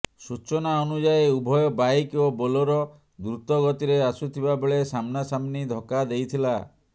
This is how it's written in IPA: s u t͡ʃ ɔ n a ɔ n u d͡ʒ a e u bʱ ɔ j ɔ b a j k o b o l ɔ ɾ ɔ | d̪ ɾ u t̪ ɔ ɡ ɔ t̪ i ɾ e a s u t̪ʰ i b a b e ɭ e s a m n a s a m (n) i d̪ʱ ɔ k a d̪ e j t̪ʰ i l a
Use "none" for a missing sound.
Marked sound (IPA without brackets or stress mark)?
n